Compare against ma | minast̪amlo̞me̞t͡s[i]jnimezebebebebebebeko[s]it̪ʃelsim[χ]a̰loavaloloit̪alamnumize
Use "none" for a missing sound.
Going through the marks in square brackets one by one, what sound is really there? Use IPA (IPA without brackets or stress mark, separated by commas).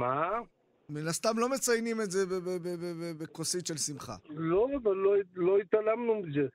a, s, χ